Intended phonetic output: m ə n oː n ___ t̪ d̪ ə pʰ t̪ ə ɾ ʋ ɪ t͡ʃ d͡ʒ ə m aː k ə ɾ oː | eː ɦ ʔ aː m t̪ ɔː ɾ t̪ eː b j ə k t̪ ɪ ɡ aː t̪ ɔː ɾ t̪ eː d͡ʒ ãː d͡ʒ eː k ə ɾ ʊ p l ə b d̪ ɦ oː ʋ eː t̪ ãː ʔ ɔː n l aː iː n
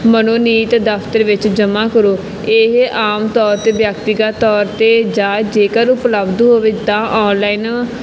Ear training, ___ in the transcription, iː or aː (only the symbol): iː